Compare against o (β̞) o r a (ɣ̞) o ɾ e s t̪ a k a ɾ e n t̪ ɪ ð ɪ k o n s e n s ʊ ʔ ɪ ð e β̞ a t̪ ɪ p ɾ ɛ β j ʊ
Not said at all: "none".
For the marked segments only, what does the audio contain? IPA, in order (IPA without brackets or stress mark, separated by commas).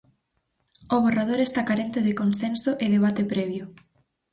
β̞, ð̞